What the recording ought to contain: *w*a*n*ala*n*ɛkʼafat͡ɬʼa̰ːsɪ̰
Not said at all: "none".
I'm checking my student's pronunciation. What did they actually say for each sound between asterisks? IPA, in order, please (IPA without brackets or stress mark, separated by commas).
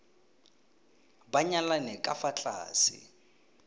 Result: b, ɲ, n